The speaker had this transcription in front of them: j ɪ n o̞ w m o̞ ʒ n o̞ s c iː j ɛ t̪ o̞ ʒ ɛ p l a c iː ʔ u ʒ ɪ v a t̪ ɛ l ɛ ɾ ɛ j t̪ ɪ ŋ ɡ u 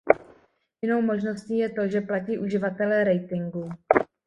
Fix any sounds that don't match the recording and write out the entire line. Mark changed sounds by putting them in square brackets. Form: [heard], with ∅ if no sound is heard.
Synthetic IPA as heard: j ɪ n o̞ w m o̞ ʒ n o̞ s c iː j ɛ t̪ o̞ ʒ ɛ p l a c iː ʔ u ʒ ɪ v a t̪ ɛ l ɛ ɾ ɛ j t̪ ɪ ŋ ɡ u